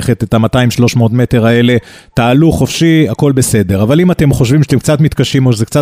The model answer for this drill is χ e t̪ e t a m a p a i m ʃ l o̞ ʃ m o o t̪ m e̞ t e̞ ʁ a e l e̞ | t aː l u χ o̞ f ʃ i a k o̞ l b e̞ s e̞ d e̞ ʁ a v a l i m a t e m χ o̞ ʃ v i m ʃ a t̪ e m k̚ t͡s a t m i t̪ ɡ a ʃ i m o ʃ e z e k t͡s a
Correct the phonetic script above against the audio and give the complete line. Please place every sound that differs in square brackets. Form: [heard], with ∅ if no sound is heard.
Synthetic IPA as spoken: χ e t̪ e t a m a [t] a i m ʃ l o̞ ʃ m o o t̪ m e̞ t e̞ ʁ a e l e̞ | t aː l u χ o̞ f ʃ i a k o̞ l b e̞ s e̞ d e̞ ʁ a v a l i m a t e m χ o̞ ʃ v i m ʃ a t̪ e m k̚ t͡s a t m i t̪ [k] a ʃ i m o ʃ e z e k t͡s a